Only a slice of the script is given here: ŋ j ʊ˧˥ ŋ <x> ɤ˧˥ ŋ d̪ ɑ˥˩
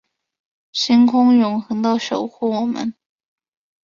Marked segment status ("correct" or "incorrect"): correct